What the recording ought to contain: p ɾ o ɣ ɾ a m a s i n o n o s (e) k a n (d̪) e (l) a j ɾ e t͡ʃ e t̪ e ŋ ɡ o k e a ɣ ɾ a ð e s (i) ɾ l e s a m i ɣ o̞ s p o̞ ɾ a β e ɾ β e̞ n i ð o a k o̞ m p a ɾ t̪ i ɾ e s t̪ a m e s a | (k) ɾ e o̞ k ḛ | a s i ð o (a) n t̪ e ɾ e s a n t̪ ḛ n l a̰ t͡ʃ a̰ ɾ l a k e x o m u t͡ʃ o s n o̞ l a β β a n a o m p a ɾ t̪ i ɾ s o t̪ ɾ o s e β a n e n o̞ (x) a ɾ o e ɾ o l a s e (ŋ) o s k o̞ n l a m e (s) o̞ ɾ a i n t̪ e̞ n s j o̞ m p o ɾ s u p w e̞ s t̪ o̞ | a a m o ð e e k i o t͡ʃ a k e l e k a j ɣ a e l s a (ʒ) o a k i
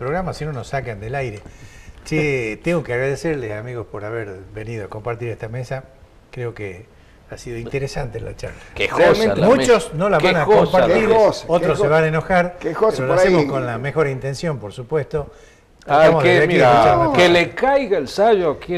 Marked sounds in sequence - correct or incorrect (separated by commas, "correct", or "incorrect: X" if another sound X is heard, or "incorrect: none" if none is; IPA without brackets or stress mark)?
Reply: incorrect: a, correct, correct, incorrect: e, correct, incorrect: i, correct, incorrect: m, incorrect: x, correct